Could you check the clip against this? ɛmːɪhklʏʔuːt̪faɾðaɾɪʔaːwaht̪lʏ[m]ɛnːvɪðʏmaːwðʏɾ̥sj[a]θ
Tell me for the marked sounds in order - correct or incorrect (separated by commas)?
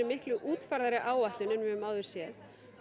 incorrect, incorrect